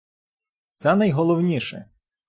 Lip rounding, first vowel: unrounded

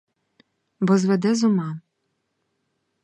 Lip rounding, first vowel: rounded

